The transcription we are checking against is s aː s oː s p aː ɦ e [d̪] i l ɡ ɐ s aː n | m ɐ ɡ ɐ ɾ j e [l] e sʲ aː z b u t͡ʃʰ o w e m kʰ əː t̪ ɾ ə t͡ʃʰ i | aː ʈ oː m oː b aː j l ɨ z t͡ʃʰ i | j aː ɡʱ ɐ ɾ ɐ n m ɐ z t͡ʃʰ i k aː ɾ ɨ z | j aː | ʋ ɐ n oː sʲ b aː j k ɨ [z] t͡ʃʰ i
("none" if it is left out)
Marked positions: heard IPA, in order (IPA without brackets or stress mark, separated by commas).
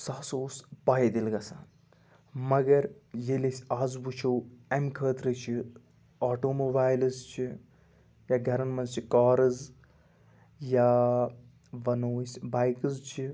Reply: d̪, l, z